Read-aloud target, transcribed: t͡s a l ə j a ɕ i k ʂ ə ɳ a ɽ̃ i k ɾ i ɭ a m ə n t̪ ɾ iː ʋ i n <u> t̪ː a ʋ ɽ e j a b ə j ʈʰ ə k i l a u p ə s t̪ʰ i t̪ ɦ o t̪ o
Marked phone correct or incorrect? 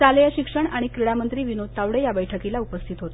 incorrect: o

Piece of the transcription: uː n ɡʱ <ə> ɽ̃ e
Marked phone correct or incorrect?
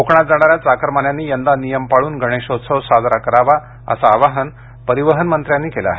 correct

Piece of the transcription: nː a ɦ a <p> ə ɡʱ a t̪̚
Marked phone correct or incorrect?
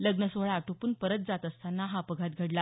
correct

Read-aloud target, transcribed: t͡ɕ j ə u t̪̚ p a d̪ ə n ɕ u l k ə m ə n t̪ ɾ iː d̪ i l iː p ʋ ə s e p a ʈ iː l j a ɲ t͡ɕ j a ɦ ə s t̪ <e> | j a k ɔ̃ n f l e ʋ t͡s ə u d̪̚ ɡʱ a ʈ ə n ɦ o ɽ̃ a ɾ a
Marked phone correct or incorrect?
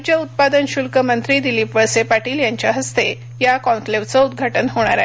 correct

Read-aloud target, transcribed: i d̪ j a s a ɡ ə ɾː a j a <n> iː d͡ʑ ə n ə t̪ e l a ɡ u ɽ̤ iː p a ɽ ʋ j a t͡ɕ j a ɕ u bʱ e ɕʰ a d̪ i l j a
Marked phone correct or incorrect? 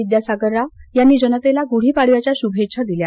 incorrect: nː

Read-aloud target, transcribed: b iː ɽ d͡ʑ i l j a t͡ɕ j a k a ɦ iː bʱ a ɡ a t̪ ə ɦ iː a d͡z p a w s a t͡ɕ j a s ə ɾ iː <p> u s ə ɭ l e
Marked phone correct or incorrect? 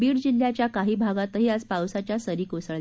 incorrect: k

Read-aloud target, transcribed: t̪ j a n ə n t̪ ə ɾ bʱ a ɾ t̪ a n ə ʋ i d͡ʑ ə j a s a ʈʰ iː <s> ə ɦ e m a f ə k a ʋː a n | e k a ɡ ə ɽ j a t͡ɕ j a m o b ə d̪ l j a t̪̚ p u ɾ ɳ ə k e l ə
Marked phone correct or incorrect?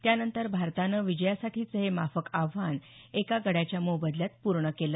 incorrect: t͡s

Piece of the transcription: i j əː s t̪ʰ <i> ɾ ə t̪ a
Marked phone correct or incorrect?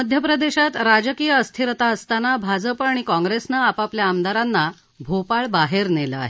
correct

